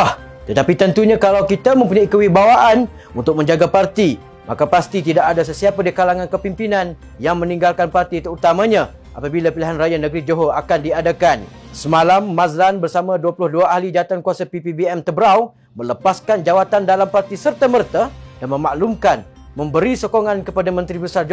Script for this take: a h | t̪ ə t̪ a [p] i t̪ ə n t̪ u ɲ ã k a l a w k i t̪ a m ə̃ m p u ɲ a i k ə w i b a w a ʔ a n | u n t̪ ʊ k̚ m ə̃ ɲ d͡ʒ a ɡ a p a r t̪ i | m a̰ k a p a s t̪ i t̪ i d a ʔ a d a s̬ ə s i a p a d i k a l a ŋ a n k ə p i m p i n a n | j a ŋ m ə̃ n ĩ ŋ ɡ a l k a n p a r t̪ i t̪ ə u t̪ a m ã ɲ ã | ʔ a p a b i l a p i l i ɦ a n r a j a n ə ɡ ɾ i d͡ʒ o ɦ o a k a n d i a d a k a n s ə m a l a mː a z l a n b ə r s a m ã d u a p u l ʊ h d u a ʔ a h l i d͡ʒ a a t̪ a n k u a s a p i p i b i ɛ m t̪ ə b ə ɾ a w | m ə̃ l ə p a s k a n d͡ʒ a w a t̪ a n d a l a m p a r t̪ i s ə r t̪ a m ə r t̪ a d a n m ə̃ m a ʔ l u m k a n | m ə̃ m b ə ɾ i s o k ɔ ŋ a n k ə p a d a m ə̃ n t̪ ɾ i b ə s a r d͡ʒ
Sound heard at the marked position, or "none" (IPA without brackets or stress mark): p